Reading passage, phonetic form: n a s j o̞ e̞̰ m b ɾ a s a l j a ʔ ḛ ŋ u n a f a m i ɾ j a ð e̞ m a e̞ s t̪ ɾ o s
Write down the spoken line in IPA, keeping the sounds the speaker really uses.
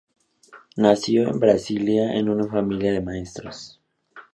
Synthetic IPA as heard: n a s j o̞ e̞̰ m b ɾ a s i l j a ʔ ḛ n u n a f a m i l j a ð e̞ m a e̞ s t̪ ɾ o s

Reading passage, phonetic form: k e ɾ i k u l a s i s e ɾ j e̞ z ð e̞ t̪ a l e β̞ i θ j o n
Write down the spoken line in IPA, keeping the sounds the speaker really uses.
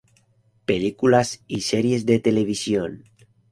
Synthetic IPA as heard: p e l i k u l a s i s e ɾ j e̞ z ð e̞ t̪ e l e β̞ i s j o n

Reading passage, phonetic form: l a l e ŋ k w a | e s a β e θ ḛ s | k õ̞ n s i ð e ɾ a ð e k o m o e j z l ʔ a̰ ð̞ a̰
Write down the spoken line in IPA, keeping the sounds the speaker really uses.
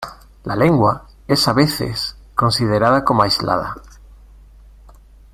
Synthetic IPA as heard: l a l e ŋ ɡ w a | e s a β e θ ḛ s | k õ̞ n s i ð e ɾ a ð a k o m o a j z l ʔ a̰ ð̞ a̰

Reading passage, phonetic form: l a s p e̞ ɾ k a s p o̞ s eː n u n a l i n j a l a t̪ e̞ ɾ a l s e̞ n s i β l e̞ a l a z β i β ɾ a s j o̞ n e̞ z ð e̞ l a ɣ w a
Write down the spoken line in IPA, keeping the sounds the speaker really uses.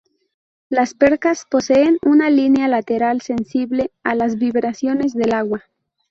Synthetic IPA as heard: l a s p e̞ ɾ k a s p o̞ s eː n u n a l i n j a l a t̪ e̞ ɾ a l s e̞ n s i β l e̞ a l a z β i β ɾ a s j o̞ n e̞ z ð e̞ l a ɣ w a

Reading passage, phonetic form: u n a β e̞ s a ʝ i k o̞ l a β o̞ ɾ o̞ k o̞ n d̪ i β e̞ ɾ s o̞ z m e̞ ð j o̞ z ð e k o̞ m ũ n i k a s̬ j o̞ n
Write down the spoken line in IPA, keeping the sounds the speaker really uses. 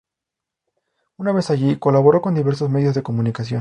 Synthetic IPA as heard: u n a β e̞ s a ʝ i k o̞ l a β o̞ ɾ o̞ k o̞ n d̪ i β e̞ ɾ s o̞ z m e̞ ð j o̞ z ð e k o̞ m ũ n i k a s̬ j o̞ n

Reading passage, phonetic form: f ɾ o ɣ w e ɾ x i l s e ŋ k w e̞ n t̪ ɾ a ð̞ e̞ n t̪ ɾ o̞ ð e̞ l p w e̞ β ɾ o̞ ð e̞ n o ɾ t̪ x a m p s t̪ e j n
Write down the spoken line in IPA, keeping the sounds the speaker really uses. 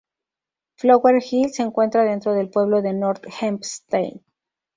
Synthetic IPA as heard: f l o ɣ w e ɾ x i l s e ŋ k w e̞ n t̪ ɾ a ð̞ e̞ n t̪ ɾ o̞ ð e̞ l p w e̞ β l o̞ ð e̞ n o ɾ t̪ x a m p s t̪ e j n

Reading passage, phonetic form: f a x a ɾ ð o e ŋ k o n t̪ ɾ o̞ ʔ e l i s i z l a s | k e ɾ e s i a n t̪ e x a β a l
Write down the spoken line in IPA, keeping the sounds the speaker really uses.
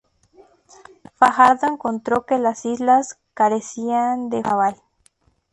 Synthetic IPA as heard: f a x a ɾ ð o e ŋ k o n t̪ ɾ o̞ k e l a s i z l a s | k a ɾ e s i a n d̪ e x a β a l

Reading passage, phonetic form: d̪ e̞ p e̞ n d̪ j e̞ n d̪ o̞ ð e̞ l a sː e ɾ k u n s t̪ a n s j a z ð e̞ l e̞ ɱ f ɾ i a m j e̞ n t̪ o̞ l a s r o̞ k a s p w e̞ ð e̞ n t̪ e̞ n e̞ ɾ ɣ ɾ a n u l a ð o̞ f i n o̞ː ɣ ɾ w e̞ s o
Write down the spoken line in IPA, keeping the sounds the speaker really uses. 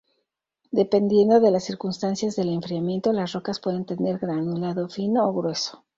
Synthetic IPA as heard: d̪ e̞ p e̞ n d̪ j e̞ n d̪ o̞ ð e̞ l a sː i ɾ k u n s t̪ a n s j a z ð e̞ l e̞ ɱ f ɾ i a m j e̞ n t̪ o̞ l a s r o̞ k a s p w e̞ ð e̞ n t̪ e̞ n e̞ ɾ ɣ ɾ a n u l a ð o̞ f i n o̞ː ɣ ɾ w e̞ s o

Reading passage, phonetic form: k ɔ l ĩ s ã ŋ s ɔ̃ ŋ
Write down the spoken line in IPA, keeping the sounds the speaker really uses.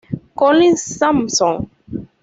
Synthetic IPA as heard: k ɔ l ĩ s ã m s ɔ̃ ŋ

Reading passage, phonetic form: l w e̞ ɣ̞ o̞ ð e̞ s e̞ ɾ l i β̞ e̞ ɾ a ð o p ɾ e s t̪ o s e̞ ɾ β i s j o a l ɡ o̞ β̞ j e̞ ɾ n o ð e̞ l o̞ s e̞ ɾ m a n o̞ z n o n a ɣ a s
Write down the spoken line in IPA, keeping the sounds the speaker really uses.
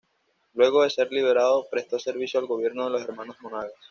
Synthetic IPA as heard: l w e̞ ɣ̞ o̞ ð e̞ s e̞ ɾ l i β̞ e̞ ɾ a ð o p ɾ e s t̪ o s e̞ ɾ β i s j o a l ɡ o̞ β̞ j e̞ ɾ n o ð e̞ l o̞ s e̞ ɾ m a n o̞ z m o n a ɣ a s

